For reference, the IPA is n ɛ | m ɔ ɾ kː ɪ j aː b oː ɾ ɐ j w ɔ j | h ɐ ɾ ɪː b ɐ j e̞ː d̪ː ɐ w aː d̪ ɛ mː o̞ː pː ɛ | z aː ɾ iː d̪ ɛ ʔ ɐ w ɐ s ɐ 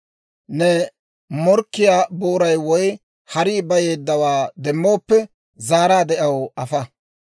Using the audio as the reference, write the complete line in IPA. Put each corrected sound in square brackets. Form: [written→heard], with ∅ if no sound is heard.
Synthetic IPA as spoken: n ɛ | m ɔ ɾ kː ɪ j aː b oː ɾ ɐ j w ɔ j | h ɐ ɾ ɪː b ɐ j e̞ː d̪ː ɐ w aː d̪ ɛ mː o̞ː pː ɛ | z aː ɾ [iː→aː] d̪ ɛ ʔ ɐ w ɐ [s→f] ɐ